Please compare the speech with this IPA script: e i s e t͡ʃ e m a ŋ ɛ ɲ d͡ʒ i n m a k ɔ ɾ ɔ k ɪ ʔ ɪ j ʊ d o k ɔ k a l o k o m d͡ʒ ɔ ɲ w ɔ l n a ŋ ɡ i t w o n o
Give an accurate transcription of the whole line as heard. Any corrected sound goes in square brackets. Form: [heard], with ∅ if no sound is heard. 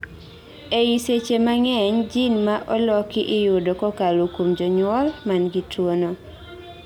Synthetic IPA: e i s e t͡ʃ e m a ŋ ɛ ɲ d͡ʒ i n m a [ʔ] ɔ [l] ɔ k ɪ ʔ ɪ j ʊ d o k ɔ k a l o k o m d͡ʒ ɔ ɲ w ɔ l [m] a [n] ɡ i t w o n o